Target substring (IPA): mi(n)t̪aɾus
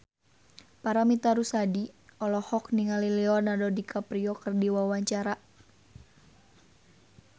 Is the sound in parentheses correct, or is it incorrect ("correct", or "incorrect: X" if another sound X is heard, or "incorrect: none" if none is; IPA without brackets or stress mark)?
incorrect: none